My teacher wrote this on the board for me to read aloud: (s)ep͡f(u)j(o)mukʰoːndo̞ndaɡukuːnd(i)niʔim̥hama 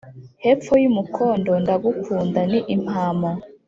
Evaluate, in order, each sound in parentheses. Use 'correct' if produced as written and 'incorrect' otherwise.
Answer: incorrect, incorrect, incorrect, incorrect

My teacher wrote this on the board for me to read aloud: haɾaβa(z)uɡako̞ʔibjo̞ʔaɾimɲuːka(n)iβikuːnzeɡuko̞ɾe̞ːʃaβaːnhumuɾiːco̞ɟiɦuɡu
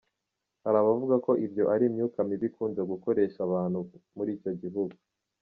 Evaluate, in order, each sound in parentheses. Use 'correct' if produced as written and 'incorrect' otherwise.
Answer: incorrect, incorrect

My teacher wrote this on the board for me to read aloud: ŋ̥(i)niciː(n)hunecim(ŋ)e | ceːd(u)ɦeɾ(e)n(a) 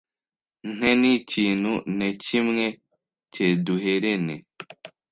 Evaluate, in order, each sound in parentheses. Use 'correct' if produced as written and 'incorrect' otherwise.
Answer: incorrect, correct, correct, correct, correct, incorrect

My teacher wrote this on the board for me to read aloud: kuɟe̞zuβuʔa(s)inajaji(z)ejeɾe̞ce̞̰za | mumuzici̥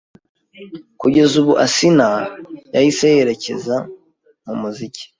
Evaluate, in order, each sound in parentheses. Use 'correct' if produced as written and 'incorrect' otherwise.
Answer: correct, incorrect

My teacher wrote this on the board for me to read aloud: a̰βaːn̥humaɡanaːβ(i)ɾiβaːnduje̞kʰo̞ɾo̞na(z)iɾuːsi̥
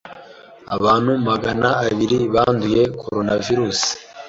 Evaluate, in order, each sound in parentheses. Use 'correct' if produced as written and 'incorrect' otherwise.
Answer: correct, incorrect

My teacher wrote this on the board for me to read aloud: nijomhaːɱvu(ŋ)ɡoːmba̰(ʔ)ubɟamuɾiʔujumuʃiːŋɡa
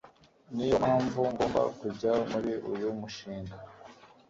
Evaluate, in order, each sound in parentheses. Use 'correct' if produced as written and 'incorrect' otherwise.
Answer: correct, incorrect

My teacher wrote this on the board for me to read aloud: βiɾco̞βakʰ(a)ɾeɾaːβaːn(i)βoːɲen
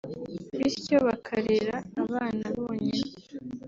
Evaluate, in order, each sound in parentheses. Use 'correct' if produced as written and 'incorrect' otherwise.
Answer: correct, incorrect

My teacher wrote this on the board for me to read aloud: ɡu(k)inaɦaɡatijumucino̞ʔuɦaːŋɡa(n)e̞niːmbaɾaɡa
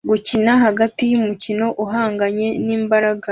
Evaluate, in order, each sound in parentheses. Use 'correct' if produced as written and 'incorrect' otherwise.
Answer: incorrect, incorrect

